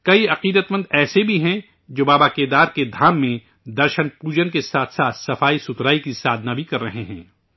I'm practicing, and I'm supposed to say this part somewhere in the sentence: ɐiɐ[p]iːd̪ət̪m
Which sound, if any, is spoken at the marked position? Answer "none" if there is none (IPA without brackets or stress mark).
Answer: q